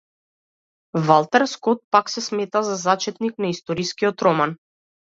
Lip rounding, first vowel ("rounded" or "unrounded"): unrounded